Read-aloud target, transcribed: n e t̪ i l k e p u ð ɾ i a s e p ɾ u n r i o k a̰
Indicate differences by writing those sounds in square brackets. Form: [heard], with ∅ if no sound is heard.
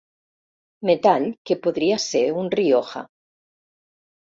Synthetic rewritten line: [m] e t̪ [a] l k e p [o] ð ɾ i a s e [∅] ɾ u n r i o [x] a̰